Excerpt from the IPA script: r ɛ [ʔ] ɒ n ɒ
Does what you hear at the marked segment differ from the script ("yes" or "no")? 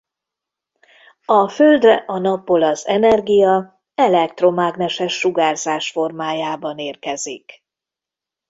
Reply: no